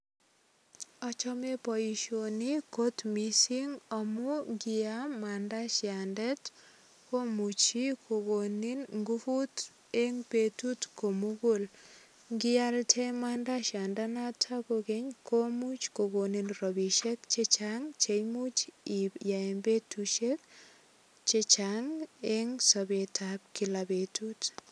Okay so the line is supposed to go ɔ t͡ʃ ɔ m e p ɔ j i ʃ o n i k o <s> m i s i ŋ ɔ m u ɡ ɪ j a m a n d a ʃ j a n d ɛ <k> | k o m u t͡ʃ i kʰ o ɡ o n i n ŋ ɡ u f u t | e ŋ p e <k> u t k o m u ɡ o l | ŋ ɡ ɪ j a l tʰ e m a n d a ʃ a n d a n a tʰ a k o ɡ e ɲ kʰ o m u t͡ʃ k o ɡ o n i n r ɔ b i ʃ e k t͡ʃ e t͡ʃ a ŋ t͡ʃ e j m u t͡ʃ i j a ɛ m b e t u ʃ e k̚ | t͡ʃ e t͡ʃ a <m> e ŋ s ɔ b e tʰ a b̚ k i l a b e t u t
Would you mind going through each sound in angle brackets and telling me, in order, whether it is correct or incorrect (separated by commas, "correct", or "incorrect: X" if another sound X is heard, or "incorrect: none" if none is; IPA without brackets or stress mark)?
incorrect: t, incorrect: t, incorrect: t, incorrect: ŋ